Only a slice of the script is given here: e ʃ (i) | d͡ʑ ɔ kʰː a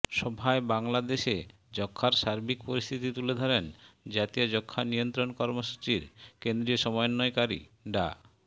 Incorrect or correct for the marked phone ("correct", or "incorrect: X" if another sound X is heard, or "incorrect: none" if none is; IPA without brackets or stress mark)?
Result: incorrect: e